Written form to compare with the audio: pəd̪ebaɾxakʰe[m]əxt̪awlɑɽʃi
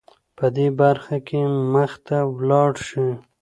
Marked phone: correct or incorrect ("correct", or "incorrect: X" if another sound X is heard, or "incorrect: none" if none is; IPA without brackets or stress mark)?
correct